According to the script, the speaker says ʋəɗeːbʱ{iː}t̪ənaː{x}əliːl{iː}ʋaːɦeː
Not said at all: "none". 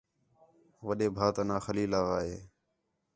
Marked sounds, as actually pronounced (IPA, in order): aː, x, aː

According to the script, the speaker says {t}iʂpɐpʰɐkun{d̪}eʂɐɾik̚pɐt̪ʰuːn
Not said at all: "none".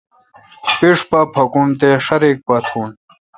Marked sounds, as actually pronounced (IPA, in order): p, t̪

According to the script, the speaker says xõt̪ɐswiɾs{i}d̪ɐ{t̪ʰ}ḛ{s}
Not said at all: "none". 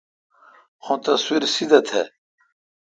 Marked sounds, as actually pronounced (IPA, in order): i, t̪ʰ, none

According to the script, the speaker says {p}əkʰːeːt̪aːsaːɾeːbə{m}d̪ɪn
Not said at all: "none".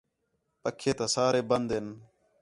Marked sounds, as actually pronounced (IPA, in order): p, n

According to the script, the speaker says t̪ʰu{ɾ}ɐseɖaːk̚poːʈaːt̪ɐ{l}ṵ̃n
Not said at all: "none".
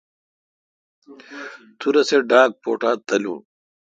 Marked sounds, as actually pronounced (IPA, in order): ɾ, l

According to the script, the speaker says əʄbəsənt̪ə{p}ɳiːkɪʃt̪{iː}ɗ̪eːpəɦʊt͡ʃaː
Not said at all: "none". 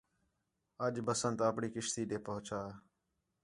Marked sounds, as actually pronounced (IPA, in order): p, iː

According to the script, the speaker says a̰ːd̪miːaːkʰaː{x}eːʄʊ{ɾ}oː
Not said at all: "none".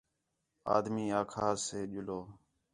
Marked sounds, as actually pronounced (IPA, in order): s, l

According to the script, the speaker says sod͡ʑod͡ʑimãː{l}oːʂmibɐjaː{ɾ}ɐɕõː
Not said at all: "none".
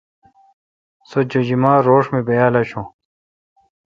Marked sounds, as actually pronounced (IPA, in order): ɾ, l

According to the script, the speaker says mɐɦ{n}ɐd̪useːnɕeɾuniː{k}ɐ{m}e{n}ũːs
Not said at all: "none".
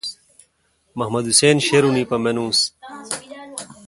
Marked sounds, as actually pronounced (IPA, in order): m, p, m, n

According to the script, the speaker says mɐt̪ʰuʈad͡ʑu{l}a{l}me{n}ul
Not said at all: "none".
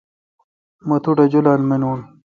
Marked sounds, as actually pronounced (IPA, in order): l, l, n

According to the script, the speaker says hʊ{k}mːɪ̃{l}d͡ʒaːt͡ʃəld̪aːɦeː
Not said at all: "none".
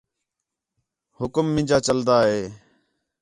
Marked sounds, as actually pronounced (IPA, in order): k, none

